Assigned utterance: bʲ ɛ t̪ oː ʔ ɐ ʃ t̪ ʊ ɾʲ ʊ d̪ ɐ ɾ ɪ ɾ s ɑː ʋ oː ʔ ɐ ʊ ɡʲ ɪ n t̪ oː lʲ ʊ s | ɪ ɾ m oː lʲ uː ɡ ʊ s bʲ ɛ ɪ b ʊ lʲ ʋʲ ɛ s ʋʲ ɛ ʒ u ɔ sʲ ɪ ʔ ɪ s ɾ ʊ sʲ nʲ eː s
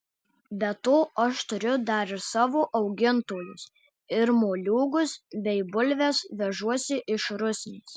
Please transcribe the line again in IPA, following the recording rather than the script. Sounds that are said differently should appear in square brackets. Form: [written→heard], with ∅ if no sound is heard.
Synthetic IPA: bʲ ɛ t̪ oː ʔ ɐ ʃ t̪ ʊ ɾʲ ʊ d̪ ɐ ɾ ɪ ɾ s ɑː ʋ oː ʔ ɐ ʊ ɡʲ ɪ n t̪ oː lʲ ʊ s | ɪ ɾ m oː lʲ uː ɡ ʊ s bʲ ɛ ɪ b ʊ lʲ ʋʲ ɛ s ʋʲ ɛ ʒ u ɔ sʲ ɪ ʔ ɪ [s→ʃ] ɾ ʊ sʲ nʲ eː s